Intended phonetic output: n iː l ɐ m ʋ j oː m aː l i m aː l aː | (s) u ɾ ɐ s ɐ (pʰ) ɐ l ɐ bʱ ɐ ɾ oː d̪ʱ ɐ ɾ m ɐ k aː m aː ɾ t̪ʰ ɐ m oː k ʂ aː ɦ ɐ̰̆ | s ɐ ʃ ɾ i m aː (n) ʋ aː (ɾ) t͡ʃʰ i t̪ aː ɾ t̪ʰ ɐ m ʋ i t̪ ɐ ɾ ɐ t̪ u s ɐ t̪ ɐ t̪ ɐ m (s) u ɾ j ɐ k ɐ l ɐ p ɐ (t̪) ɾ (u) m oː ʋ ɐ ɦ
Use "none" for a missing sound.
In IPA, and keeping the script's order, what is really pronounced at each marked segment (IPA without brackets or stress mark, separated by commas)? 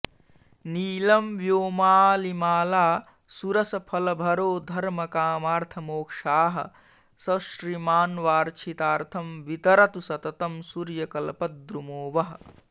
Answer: s, pʰ, n, ɾ, s, d̪, u